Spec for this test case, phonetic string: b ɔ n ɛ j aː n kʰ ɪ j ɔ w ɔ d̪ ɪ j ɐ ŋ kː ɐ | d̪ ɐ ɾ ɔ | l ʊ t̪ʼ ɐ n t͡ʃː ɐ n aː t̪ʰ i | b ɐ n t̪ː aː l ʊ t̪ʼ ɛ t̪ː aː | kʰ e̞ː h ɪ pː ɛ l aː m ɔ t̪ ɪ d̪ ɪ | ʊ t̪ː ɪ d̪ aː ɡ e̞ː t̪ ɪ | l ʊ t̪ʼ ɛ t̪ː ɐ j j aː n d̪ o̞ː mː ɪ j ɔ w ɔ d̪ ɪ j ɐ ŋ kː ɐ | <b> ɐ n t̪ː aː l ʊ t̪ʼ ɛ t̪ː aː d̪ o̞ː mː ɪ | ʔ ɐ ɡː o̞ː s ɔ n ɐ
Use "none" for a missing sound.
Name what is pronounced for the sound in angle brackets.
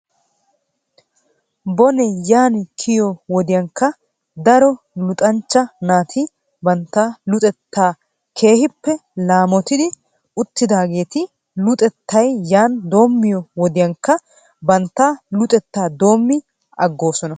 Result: b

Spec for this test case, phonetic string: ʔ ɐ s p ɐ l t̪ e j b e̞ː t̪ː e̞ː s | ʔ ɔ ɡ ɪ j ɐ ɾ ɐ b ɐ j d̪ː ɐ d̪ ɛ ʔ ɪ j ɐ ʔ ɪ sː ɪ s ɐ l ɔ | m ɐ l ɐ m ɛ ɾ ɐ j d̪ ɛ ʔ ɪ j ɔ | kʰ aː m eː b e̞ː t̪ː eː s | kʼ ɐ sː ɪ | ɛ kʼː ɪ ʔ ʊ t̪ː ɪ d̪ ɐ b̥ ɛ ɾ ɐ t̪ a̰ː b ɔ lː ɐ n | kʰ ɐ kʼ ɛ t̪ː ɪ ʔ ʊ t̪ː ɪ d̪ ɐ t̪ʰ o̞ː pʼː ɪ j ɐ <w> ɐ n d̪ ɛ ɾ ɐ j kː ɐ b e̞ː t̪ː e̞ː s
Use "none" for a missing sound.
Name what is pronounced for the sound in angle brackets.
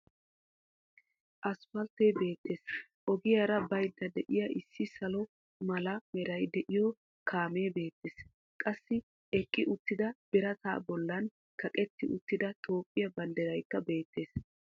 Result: b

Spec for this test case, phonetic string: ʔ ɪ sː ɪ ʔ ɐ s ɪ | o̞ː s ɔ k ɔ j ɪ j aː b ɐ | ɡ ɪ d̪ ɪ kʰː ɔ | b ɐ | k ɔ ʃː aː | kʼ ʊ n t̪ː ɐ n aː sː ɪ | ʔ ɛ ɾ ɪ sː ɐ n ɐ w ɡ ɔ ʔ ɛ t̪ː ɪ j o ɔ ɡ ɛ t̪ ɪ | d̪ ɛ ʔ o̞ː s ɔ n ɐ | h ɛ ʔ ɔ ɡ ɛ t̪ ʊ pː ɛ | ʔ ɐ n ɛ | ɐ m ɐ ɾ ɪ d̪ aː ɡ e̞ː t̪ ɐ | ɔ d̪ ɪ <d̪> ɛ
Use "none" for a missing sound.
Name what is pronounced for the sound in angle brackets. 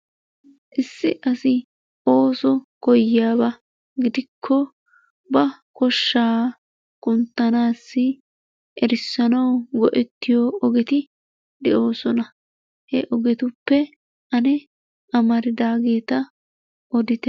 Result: t̪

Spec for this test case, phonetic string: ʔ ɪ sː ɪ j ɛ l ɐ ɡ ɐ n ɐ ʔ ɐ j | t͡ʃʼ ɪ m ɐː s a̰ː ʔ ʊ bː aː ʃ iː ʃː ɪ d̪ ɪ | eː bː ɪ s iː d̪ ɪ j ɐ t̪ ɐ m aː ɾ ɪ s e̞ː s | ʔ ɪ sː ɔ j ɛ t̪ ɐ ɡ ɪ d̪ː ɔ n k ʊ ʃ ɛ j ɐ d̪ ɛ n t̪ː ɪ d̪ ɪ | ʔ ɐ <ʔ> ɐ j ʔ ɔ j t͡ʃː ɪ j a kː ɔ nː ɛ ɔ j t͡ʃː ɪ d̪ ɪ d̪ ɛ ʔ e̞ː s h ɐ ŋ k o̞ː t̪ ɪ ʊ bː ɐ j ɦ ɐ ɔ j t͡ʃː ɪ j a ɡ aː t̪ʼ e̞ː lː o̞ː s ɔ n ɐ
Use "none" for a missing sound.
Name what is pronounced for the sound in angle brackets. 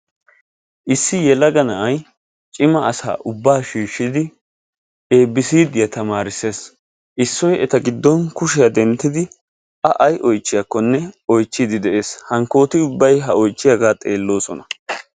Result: ʔ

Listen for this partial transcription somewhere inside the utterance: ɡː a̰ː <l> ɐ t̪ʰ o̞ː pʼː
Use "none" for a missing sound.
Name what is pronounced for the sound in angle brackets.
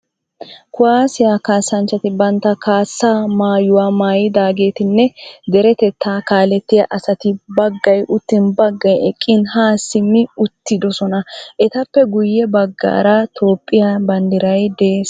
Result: ɾ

